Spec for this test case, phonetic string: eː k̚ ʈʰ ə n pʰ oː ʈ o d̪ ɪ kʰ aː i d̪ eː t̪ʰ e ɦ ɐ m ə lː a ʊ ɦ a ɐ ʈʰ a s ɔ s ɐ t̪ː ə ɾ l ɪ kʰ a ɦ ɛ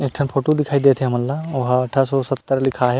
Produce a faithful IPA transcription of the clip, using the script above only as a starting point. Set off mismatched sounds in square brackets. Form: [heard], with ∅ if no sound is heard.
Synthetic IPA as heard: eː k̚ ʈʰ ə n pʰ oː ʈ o d̪ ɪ kʰ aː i d̪ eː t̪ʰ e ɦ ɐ m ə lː a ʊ ɦ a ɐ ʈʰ a s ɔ s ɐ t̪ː ə ɾ l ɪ kʰ a ɦ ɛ